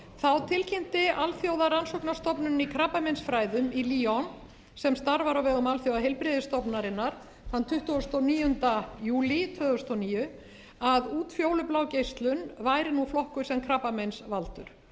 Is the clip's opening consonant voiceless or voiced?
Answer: voiceless